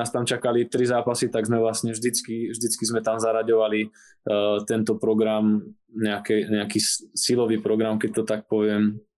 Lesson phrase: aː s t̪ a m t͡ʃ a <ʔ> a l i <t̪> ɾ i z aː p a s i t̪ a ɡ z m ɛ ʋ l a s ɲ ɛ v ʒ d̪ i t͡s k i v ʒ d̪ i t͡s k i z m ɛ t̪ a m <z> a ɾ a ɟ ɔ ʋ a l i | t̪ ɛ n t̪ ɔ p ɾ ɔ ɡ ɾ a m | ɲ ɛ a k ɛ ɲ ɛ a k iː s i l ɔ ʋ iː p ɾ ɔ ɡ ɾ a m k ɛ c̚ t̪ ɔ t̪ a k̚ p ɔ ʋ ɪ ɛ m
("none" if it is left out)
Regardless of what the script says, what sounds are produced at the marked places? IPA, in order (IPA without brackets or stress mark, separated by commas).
k, t̪, z